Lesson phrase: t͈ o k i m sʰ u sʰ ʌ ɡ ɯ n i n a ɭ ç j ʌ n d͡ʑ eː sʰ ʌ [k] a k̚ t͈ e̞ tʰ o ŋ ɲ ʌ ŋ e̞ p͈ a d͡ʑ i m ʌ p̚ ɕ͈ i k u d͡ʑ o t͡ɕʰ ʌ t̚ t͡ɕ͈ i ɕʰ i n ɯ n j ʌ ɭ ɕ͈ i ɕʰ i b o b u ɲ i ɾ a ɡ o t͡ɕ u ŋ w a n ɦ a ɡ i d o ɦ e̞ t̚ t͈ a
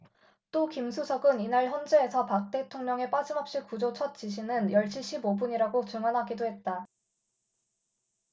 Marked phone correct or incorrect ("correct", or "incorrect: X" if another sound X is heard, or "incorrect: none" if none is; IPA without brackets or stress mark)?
incorrect: p